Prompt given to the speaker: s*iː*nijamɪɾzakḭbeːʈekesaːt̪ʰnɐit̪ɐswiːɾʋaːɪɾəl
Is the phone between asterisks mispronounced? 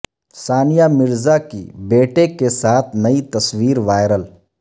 yes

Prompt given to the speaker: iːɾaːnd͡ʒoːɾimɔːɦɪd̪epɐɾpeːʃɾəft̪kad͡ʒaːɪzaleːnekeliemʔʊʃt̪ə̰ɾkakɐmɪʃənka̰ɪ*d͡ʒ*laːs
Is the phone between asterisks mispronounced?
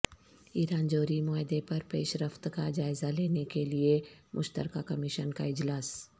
no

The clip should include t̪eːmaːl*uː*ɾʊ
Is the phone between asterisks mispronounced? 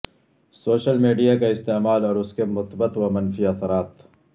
yes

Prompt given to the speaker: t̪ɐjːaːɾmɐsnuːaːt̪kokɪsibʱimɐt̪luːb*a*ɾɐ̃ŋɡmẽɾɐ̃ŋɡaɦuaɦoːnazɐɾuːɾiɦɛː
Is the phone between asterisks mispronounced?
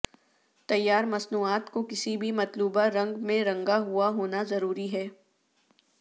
no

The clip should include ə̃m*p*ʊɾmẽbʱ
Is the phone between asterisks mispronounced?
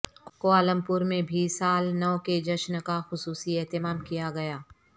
no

